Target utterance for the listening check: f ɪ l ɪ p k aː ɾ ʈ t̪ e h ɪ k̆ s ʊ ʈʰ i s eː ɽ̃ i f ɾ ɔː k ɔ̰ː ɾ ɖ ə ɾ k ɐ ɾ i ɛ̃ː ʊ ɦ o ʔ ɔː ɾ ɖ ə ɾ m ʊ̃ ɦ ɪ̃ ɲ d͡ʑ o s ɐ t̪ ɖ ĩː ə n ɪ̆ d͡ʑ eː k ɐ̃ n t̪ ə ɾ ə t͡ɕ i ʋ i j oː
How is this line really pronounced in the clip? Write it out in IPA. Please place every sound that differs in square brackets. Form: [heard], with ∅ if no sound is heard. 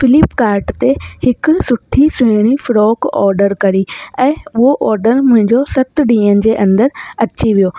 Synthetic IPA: f ɪ l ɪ p k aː ɾ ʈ t̪ e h ɪ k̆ s ʊ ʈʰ i s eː ɽ̃ i f ɾ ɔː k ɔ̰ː ɾ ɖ ə ɾ k ɐ ɾ i ɛ̃ː ʊ ɦ o ʔ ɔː ɾ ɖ ə ɾ m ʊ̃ ɦ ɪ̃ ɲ d͡ʑ o s ɐ t̪ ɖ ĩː ə n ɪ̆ d͡ʑ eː [ʔ] ɐ̃ n [d̪] ə ɾ [ɐ] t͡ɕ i ʋ i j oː